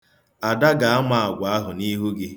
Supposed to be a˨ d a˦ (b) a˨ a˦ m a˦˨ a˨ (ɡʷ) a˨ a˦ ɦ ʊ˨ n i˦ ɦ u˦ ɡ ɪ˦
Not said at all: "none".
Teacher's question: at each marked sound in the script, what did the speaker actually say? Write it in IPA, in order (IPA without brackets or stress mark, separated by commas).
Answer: ɡ, ɡʷ